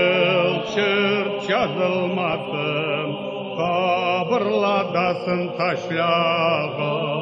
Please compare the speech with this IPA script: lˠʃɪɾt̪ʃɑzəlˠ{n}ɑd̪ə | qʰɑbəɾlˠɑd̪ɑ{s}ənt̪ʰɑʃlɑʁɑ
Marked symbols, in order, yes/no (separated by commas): no, yes